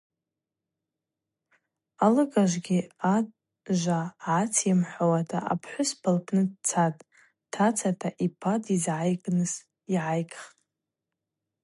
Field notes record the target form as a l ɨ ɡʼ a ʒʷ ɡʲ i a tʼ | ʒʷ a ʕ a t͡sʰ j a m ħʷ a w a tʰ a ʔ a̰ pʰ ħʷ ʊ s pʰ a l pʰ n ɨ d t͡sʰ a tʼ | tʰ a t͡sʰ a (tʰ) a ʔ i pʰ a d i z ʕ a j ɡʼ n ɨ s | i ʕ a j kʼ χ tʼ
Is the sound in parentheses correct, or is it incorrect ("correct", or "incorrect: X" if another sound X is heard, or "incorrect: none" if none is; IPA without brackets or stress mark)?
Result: correct